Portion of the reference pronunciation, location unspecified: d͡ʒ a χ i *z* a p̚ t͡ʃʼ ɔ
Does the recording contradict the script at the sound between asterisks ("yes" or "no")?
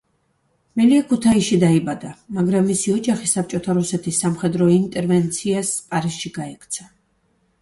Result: yes